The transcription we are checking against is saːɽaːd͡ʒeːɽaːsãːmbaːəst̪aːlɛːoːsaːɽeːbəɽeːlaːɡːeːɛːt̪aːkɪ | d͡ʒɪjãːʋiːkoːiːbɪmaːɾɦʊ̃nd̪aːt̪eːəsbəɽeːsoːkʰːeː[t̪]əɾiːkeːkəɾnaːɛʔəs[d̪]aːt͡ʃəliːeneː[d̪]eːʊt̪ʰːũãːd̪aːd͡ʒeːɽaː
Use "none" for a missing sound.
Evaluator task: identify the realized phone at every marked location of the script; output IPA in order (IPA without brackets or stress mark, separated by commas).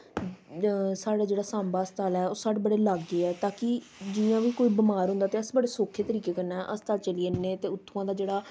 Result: t̪, t̪, t̪